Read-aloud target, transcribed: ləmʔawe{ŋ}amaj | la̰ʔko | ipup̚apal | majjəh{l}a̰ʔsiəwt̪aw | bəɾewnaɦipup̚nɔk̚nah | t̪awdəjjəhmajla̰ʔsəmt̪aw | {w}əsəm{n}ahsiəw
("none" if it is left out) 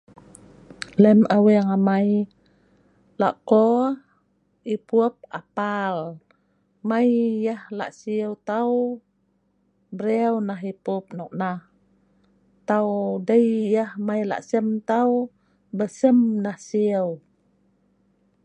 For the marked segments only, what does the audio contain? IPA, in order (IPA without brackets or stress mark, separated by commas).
ŋ, l, b, n